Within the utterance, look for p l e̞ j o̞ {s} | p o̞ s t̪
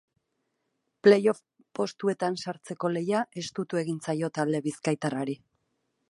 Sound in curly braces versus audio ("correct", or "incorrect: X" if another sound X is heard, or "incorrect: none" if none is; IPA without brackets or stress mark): incorrect: f